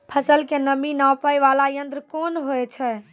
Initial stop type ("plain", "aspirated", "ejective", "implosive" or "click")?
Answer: aspirated